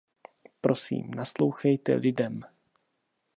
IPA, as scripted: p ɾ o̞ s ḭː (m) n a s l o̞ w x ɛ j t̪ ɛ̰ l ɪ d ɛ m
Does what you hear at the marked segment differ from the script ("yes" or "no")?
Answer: no